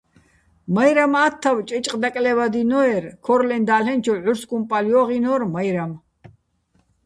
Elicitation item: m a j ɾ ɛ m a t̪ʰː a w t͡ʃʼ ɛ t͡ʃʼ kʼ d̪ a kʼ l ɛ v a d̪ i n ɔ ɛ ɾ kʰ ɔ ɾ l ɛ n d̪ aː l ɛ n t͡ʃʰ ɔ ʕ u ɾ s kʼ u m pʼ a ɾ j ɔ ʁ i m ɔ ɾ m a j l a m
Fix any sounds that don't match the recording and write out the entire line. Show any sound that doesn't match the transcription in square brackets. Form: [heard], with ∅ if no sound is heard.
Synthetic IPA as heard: m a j ɾ [a] m a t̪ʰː a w t͡ʃʼ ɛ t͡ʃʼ [qʼ] d̪ a kʼ l ɛ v a d̪ i n ɔ ɛ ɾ kʰ ɔ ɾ l ɛ n d̪ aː l ɛ n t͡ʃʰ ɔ ʕ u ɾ s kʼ u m pʼ a [l] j ɔ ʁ i [n] ɔ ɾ m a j [ɾ] a m